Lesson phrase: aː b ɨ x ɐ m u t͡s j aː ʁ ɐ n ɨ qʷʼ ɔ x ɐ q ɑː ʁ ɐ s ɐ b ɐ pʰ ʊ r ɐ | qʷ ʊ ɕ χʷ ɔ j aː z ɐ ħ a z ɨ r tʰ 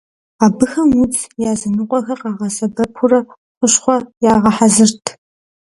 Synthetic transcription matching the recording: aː b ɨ x ɐ m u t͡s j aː z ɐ n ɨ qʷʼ ɔ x ɐ q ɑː ʁ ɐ s ɐ b ɐ pʰ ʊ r ɐ | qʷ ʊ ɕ χʷ ɔ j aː ʁ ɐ ħ a z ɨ r tʰ